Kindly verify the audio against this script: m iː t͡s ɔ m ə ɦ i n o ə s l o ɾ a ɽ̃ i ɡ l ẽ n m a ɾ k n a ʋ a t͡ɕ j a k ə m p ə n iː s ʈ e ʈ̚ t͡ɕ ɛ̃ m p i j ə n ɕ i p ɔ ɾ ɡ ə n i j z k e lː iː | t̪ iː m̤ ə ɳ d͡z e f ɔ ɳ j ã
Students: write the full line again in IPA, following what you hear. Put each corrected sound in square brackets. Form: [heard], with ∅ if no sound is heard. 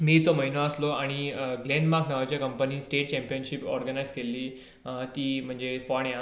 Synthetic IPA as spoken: m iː t͡s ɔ m ə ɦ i n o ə s l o [∅] a ɽ̃ i ɡ l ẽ n m a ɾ k n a ʋ a t͡ɕ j a k ə m p ə n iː s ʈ e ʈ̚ t͡ɕ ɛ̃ m p i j ə n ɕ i p ɔ ɾ ɡ ə n [a] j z k e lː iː | t̪ iː m̤ ə ɳ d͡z e f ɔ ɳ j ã